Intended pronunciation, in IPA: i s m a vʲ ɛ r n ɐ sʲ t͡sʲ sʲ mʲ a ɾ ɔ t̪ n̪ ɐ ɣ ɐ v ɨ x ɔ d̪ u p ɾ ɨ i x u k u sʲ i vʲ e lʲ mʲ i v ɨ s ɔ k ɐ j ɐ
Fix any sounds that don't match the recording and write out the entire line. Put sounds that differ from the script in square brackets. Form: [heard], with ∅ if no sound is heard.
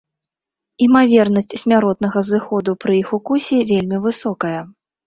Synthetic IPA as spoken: i [∅] m a vʲ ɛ r n ɐ sʲ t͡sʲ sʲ mʲ a ɾ ɔ t̪ n̪ ɐ ɣ ɐ [z] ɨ x ɔ d̪ u p ɾ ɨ i x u k u sʲ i vʲ e lʲ mʲ i v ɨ s ɔ k ɐ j ɐ